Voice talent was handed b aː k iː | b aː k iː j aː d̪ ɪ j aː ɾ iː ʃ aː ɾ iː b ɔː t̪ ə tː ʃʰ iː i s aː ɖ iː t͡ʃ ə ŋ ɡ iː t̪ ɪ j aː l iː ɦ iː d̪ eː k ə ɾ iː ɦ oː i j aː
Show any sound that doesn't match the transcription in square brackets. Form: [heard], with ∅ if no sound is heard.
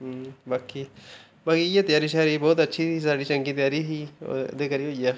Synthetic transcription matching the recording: b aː k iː | b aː k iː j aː [t̪] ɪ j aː ɾ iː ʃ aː ɾ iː b ɔː t̪ ə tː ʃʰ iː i s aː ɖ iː t͡ʃ ə ŋ ɡ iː t̪ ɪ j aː [ɾ] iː ɦ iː d̪ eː k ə ɾ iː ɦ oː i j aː